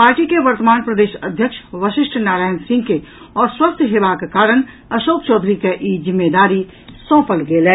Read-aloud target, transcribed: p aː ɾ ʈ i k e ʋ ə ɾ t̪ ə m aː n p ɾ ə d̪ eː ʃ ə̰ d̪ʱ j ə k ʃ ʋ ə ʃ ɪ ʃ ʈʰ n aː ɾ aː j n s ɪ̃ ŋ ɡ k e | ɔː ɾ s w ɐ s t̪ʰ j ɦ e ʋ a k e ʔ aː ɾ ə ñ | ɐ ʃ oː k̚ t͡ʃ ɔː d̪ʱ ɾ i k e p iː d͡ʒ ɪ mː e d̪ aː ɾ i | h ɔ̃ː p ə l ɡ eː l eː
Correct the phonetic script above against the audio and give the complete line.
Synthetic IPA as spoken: p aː ɾ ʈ i k e ʋ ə ɾ t̪ ə m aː n p ɾ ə d̪ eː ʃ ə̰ d̪ʱ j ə k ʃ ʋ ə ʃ ɪ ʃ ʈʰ n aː ɾ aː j n s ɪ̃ ŋ ɡ k e | ɔː ɾ s w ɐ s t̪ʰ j ɦ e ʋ a k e k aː ɾ ə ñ | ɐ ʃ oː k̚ t͡ʃ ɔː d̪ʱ ɾ i k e ʔ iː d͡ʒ ɪ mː e d̪ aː ɾ i | s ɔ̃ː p ə l ɡ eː l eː